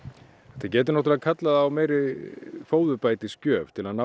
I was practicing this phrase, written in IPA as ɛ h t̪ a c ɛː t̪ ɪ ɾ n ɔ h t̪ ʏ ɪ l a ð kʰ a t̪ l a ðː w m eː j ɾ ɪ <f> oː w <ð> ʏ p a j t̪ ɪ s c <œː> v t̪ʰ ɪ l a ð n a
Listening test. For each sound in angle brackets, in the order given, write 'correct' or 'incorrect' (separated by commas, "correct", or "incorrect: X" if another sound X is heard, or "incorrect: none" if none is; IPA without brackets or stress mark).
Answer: correct, correct, correct